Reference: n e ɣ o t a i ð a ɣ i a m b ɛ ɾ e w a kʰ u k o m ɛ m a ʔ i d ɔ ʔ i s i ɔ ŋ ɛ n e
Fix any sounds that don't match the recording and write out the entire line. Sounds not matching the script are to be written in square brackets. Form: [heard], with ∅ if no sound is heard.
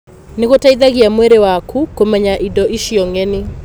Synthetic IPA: n e ɣ o t a i ð a ɣ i a m [w] ɛ ɾ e w a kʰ u k o m ɛ [ɲ] a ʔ i d ɔ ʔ i [ʃ] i ɔ ŋ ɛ n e